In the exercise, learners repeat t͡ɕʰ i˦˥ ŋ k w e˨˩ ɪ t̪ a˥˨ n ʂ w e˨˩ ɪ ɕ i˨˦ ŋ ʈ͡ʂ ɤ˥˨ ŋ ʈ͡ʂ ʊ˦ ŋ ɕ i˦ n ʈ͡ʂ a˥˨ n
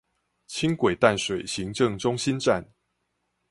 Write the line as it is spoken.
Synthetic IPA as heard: t͡ɕʰ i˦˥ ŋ k w e˨˩ ɪ t̪ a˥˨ n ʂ w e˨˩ ɪ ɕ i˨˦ ŋ ʈ͡ʂ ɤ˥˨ ŋ ʈ͡ʂ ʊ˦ ŋ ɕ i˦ n ʈ͡ʂ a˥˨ n